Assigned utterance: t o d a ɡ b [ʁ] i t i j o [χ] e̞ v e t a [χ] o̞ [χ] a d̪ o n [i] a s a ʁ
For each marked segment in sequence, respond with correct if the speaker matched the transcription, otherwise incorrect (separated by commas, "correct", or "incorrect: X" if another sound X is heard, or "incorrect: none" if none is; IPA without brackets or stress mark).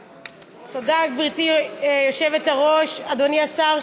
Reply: correct, incorrect: ʃ, incorrect: ʁ, incorrect: ʃ, correct